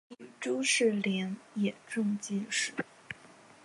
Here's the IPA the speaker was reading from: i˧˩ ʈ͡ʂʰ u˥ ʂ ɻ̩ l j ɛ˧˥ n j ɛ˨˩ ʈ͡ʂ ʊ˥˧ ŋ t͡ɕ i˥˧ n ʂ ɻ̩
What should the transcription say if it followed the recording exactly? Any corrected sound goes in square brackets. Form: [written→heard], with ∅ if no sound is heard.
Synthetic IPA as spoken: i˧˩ [ʈ͡ʂʰ→ʈ͡ʂ] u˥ ʂ ɻ̩ l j ɛ˧˥ n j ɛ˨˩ ʈ͡ʂ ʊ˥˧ ŋ t͡ɕ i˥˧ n ʂ ɻ̩